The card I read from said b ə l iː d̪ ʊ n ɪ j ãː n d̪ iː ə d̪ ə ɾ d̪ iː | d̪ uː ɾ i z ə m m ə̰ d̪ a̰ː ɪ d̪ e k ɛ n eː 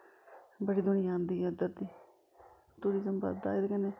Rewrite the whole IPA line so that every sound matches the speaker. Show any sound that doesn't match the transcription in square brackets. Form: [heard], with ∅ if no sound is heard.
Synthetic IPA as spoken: b ə [ɽ] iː d̪ ʊ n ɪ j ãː n d̪ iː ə d̪ ə ɾ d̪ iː | [t̪] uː ɾ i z ə m [b] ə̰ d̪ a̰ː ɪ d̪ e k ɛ n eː